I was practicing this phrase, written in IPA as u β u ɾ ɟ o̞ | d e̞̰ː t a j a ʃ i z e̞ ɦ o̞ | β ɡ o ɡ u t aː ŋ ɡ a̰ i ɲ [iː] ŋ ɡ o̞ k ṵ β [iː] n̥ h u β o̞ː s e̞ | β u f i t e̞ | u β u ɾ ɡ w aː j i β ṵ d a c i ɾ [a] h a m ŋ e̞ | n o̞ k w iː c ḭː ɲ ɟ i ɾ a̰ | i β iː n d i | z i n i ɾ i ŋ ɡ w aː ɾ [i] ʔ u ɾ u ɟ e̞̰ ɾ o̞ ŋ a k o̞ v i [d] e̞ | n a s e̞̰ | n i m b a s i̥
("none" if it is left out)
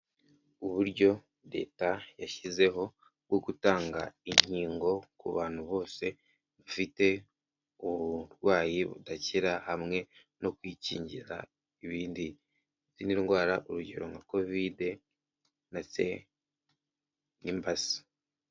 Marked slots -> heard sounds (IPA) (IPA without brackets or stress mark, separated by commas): iː, aː, a, a, d